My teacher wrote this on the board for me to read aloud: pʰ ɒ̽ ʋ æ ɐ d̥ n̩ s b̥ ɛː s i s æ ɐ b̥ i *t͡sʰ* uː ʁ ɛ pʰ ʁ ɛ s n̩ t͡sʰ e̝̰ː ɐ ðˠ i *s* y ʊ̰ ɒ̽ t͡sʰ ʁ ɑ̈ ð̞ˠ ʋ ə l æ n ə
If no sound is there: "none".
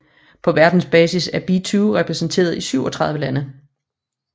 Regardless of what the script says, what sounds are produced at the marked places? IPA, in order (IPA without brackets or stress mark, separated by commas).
t͡sʰ, s